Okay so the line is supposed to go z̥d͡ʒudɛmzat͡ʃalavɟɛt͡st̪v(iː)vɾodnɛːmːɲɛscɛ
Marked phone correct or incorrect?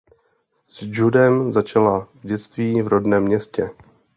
correct